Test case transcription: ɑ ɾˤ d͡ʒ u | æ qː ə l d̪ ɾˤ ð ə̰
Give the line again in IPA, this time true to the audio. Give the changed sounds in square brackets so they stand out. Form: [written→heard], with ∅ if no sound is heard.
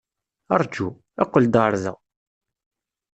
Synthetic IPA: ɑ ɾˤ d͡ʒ u | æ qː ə l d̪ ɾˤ ð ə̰